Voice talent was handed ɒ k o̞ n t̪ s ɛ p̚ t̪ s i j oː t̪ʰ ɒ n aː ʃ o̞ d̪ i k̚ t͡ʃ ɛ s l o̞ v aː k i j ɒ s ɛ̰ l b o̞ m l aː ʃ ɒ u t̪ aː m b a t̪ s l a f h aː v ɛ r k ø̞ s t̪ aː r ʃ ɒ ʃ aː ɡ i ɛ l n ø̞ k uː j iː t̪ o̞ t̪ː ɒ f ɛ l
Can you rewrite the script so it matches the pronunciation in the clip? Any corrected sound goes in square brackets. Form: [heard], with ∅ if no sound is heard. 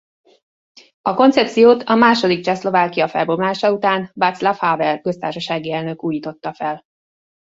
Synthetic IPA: ɒ k o̞ n t̪ s ɛ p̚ t̪ s i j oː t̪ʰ ɒ [m] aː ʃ o̞ d̪ i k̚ t͡ʃ ɛ s l o̞ v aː k i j ɒ [f] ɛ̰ l b o̞ m l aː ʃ ɒ u t̪ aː [n] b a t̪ s l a f h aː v ɛ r k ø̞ s t̪ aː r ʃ ɒ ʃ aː ɡ i ɛ l n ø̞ k uː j iː t̪ o̞ t̪ː ɒ f ɛ l